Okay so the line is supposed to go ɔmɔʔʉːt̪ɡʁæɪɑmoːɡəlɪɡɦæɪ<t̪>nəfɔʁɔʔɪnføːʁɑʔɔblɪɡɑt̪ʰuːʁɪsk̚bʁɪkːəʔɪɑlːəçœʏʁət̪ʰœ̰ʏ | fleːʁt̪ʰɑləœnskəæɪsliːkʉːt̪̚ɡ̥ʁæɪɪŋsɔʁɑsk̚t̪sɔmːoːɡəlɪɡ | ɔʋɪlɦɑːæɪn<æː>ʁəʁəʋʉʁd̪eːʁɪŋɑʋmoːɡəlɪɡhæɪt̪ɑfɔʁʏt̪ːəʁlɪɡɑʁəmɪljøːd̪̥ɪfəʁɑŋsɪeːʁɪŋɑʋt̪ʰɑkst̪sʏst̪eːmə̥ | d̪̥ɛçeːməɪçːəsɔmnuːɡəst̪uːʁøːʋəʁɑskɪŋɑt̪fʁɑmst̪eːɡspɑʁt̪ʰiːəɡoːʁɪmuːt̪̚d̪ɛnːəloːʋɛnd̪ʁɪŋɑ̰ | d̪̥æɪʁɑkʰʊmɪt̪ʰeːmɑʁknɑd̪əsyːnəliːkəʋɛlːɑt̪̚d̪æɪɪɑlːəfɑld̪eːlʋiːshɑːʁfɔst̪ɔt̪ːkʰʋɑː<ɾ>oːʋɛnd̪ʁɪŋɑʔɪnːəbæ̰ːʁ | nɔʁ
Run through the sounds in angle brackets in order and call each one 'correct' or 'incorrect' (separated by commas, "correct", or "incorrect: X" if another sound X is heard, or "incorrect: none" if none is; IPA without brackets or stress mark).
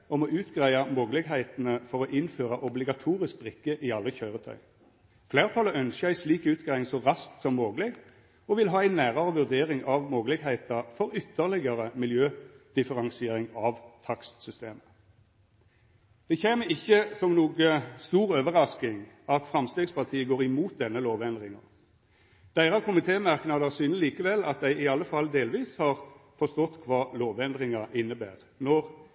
correct, correct, incorrect: l